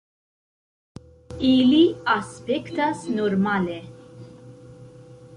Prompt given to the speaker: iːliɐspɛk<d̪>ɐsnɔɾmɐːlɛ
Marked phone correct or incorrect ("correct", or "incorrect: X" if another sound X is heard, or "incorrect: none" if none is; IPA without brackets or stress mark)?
incorrect: t̪